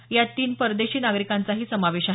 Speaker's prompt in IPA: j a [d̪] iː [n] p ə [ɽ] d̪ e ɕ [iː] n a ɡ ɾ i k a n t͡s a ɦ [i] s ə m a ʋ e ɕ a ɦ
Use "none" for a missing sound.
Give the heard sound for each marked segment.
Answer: t̪, n, ɾ, iː, iː

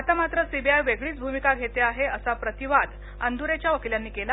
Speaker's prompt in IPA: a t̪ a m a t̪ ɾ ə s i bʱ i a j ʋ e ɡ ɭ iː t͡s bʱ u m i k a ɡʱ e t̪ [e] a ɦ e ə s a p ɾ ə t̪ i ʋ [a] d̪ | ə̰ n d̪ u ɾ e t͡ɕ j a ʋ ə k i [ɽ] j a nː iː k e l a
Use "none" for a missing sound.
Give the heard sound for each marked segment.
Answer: e, a, l

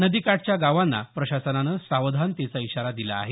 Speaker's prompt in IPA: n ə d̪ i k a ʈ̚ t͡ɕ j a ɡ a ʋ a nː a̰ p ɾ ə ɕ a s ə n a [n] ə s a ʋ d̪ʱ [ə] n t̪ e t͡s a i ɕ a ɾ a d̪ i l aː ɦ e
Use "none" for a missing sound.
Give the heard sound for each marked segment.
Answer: n, a

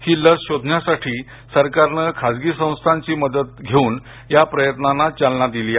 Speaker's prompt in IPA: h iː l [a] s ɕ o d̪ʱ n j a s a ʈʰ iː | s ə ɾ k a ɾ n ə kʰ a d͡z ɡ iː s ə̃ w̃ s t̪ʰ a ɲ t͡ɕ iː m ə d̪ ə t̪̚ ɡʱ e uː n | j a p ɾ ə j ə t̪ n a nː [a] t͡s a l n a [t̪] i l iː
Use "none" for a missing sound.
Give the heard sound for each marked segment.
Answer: ə, a, d̪

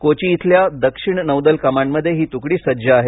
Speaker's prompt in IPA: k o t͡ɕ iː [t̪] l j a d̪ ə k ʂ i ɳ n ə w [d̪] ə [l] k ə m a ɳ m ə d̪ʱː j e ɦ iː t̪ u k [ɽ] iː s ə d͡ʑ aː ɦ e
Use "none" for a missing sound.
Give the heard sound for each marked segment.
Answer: t̪ʰ, d̪, l, ɽ

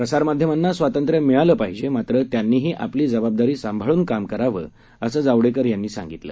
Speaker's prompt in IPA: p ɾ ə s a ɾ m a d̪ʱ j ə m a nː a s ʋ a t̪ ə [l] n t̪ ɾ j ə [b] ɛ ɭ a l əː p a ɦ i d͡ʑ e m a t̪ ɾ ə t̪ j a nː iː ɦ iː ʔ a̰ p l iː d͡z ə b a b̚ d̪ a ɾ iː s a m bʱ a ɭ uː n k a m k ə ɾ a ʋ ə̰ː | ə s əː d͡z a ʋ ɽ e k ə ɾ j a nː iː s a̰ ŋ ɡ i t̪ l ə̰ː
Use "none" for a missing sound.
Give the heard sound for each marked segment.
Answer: none, m

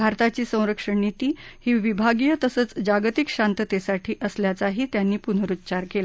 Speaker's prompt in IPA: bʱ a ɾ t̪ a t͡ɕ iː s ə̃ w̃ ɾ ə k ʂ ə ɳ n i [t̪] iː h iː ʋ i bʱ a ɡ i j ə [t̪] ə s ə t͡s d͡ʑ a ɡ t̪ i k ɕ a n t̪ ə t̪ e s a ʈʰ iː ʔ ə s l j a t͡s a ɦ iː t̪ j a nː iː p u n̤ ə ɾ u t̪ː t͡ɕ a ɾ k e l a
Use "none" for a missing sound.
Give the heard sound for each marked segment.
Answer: t̪, t̪

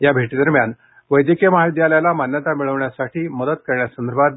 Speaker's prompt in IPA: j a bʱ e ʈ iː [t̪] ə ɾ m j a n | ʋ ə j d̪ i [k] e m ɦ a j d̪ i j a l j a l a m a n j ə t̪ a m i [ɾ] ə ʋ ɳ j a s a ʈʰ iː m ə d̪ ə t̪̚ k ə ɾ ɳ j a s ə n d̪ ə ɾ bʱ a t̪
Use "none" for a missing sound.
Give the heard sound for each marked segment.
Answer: d̪, k, ɭ

